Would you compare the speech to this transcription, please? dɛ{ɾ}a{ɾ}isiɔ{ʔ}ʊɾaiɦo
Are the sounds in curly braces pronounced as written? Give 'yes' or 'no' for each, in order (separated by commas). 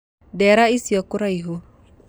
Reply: yes, no, no